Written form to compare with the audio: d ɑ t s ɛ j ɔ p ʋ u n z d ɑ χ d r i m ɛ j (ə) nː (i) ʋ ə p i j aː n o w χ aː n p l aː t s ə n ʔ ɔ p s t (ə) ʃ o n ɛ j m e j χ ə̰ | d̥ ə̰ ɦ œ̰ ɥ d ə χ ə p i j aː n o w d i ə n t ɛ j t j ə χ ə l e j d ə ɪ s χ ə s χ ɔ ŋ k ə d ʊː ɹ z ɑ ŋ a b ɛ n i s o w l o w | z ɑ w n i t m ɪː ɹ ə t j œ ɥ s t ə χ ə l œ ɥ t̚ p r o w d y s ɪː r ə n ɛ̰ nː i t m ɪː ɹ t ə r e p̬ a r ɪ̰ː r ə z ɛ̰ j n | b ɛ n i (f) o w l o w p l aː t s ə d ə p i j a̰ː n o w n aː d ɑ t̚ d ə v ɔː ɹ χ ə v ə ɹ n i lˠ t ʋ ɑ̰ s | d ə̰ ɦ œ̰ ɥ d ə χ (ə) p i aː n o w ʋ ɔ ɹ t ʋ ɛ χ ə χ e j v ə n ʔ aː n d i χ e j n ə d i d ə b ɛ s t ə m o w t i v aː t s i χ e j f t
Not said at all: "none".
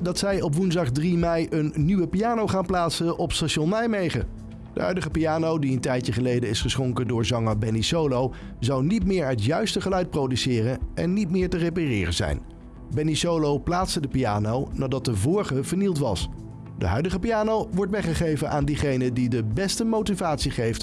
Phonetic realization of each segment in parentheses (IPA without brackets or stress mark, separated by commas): ə, y, a, s, ə